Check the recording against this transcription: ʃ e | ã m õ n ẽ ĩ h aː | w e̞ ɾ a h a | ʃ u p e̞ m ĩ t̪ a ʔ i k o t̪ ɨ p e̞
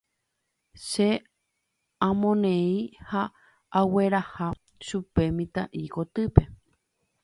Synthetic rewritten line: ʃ e | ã m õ n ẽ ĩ h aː | w e̞ ɾ a h a | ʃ u p e̞ m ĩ t̪ a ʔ i k o t̪ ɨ p e̞